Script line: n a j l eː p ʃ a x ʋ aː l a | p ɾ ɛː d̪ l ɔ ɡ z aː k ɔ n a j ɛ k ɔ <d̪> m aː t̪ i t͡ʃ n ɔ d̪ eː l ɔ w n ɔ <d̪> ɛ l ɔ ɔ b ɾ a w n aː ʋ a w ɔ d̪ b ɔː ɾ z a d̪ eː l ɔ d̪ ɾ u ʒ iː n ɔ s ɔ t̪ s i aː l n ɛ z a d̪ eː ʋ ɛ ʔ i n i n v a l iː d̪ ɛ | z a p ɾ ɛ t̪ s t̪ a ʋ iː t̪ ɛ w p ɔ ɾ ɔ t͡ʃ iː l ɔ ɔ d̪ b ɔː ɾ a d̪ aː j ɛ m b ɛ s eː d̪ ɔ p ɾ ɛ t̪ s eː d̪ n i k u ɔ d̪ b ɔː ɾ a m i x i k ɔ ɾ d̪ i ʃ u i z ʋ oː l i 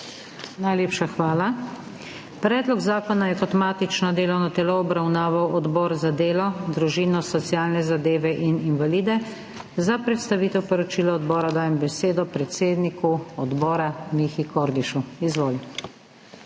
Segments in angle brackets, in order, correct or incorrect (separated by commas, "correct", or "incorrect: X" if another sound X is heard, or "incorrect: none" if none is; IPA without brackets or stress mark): incorrect: t̪, incorrect: t̪